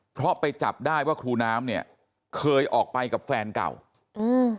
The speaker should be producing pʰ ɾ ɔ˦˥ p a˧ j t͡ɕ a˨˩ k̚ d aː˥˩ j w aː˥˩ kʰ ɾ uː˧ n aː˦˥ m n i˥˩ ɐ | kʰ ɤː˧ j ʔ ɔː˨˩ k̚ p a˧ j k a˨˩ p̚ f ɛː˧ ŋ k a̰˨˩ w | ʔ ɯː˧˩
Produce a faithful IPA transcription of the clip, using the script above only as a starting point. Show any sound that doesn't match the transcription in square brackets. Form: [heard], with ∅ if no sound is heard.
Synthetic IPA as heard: pʰ ɾ ɔ˦˥ p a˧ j t͡ɕ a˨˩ [p̚] d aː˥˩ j w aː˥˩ kʰ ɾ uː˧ n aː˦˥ m n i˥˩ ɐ | kʰ ɤː˧ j ʔ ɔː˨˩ k̚ p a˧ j k a˨˩ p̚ f ɛː˧ [n] k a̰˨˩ w | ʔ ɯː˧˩